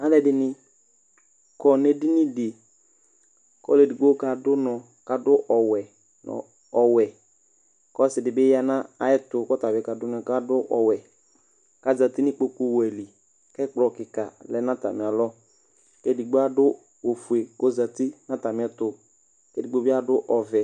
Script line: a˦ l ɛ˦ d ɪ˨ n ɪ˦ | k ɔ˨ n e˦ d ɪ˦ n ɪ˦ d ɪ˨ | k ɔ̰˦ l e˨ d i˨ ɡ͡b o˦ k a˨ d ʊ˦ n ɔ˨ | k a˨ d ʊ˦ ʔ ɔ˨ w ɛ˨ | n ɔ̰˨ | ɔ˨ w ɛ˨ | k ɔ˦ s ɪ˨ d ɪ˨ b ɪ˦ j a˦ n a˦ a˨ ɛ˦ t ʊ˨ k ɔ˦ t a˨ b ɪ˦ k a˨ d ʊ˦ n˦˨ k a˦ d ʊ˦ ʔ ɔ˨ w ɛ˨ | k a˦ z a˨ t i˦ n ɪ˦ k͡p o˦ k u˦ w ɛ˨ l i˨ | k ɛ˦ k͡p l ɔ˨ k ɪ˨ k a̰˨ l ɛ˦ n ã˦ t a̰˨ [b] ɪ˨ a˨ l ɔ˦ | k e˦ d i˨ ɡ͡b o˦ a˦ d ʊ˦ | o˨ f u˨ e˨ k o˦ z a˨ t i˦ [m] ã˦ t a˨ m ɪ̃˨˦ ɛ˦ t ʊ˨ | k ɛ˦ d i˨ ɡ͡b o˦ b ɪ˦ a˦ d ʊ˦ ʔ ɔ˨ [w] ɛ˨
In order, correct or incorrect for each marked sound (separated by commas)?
incorrect, incorrect, incorrect